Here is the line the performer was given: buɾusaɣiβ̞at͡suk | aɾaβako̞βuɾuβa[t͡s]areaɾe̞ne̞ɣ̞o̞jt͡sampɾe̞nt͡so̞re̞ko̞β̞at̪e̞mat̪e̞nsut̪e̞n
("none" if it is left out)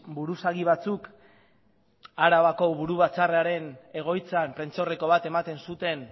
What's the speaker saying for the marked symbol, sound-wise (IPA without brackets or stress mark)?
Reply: t͡s